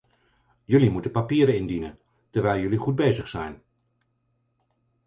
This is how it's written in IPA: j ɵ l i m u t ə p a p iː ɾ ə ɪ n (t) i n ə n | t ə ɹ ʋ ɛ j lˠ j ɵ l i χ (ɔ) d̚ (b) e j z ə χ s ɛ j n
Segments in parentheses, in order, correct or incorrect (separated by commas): incorrect, incorrect, correct